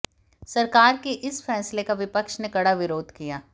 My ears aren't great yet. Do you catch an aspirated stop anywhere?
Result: no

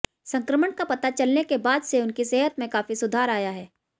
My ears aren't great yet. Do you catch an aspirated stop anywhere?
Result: no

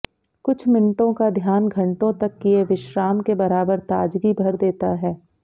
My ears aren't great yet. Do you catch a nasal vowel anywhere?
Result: yes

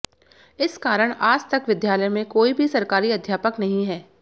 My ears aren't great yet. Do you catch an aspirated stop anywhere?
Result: no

